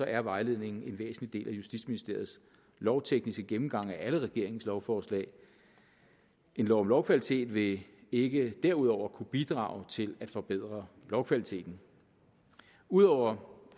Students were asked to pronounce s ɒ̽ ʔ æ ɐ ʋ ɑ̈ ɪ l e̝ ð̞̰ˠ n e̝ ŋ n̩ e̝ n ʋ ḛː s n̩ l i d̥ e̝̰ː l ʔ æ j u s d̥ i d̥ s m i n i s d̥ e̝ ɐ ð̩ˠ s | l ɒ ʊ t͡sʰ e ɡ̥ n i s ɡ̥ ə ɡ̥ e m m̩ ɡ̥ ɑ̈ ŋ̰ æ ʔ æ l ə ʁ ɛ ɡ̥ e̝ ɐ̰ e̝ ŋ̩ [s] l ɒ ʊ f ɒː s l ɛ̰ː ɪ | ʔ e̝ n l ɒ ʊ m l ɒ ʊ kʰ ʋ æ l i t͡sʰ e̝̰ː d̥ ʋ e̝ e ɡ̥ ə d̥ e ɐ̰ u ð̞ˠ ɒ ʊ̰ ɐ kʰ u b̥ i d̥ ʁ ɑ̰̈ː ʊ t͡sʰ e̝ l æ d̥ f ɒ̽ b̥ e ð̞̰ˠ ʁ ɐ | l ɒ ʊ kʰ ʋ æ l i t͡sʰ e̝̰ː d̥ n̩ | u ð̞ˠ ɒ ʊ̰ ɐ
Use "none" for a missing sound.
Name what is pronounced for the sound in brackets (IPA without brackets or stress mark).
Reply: s